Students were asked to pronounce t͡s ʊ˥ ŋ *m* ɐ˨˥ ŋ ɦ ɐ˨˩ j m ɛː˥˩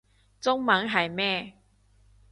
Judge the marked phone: correct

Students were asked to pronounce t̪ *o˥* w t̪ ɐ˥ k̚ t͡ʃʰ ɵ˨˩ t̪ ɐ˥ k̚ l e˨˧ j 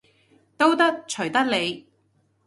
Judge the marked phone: correct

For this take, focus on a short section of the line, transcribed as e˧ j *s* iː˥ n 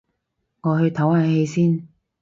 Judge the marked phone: correct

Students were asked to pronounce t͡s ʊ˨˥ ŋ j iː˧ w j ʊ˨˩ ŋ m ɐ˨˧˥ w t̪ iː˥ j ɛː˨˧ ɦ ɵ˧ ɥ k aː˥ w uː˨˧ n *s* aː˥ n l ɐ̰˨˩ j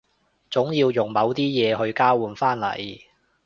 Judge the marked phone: incorrect: f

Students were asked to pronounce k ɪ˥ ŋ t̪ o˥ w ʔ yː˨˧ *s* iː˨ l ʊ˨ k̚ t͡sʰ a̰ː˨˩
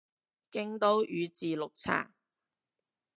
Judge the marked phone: incorrect: t͡s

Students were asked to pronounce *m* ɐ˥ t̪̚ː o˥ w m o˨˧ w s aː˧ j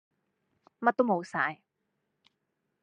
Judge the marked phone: correct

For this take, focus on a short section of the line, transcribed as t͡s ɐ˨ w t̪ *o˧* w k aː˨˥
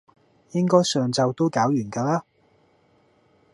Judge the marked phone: incorrect: o˥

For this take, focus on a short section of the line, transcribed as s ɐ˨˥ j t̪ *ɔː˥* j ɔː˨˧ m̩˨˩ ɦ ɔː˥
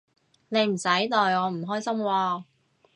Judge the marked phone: incorrect: ɔː˨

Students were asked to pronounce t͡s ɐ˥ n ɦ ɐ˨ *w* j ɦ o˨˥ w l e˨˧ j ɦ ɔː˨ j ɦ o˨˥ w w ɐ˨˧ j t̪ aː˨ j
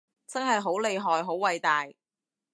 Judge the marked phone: incorrect: none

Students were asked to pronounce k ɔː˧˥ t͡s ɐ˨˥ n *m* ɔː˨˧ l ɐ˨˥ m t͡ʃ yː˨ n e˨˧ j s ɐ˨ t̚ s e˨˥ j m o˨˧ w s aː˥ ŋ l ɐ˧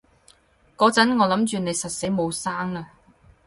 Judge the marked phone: incorrect: ŋ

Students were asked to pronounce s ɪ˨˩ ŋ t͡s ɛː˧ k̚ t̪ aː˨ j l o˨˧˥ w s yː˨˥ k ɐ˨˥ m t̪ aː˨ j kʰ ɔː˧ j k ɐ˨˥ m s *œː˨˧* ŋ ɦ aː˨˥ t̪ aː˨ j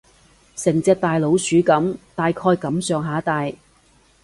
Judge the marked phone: correct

